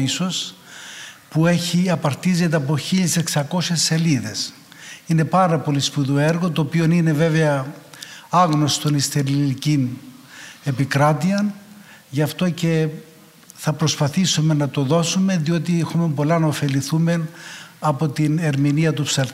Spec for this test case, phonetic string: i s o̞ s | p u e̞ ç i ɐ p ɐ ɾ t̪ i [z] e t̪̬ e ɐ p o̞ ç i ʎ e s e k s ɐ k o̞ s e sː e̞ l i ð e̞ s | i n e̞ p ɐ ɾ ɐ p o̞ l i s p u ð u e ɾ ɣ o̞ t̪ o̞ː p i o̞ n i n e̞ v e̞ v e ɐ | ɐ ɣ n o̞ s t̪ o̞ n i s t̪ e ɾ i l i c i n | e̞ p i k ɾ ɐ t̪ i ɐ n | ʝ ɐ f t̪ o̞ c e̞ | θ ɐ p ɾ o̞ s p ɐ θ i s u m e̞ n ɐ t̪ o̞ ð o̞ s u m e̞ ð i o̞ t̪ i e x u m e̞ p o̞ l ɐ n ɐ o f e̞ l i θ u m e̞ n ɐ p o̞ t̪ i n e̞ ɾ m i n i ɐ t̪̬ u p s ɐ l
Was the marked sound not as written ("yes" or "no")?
no